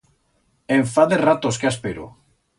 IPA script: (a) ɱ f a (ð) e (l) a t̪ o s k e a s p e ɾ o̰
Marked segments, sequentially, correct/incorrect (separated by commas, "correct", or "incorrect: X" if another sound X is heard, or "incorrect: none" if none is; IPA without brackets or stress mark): incorrect: e, correct, incorrect: r